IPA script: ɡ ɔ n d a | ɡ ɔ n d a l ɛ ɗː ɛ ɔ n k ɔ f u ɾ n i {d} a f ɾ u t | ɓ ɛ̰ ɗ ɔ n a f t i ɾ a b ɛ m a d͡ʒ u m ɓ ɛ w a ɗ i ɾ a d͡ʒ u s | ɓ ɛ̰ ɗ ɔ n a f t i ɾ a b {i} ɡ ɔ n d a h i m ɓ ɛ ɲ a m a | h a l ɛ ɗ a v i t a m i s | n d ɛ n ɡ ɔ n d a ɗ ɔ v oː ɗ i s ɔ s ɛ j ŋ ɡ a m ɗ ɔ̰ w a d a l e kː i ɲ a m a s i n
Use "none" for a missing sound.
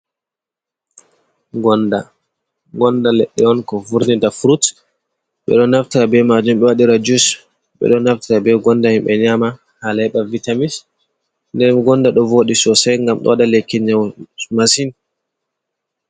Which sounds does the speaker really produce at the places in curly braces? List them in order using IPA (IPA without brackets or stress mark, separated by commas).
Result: d, ɛ